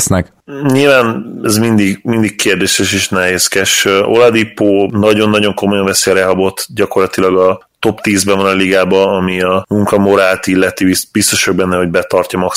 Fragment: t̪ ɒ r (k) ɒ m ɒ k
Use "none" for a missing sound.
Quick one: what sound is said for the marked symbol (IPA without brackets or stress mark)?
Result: c